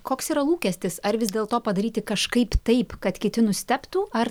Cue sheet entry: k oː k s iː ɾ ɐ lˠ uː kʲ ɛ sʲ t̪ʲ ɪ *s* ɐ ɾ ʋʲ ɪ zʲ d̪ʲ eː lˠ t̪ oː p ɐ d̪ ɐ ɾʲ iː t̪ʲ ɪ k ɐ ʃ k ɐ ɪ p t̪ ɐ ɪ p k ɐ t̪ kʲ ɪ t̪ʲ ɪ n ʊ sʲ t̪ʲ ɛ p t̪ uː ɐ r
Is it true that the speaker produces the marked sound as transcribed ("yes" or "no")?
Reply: yes